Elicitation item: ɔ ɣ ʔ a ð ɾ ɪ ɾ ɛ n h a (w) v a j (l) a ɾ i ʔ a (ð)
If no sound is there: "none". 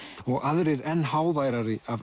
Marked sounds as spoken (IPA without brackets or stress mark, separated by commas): w, ɾ, v